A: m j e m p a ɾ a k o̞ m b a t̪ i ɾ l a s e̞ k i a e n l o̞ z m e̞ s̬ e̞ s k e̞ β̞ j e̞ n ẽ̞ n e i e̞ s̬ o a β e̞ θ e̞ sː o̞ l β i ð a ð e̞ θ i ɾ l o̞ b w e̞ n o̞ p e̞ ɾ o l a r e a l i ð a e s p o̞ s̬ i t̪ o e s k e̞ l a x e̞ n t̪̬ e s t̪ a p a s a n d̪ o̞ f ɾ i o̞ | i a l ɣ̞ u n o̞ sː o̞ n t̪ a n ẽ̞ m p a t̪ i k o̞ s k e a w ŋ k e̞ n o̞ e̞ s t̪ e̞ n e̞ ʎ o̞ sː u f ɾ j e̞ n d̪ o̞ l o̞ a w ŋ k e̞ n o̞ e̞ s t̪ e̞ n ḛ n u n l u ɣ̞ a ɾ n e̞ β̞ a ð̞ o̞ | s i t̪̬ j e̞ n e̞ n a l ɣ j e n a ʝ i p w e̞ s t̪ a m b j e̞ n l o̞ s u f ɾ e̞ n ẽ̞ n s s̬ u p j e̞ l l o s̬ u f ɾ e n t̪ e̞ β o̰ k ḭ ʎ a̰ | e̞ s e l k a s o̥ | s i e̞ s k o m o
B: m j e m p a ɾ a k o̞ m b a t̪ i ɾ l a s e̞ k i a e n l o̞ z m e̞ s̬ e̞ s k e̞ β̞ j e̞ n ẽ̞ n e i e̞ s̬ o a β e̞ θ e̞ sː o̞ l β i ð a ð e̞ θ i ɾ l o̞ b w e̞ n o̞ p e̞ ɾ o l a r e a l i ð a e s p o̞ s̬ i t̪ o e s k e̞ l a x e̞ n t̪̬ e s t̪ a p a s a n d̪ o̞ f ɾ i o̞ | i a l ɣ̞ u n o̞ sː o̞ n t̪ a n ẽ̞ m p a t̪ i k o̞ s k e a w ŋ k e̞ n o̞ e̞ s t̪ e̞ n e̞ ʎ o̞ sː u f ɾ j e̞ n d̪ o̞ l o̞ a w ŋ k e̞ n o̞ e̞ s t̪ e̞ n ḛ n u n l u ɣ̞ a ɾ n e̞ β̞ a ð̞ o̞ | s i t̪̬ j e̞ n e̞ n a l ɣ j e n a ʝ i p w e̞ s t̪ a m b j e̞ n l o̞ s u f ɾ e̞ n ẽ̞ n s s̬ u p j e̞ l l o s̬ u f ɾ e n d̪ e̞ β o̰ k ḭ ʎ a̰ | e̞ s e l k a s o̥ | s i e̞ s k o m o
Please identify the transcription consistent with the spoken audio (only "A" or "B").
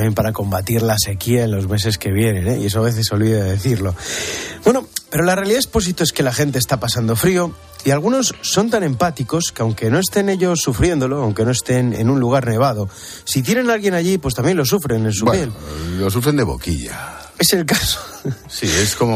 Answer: B